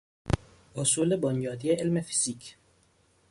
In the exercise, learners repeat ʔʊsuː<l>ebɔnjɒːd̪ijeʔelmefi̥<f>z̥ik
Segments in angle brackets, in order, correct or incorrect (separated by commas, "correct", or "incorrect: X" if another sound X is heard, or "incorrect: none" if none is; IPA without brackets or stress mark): correct, incorrect: none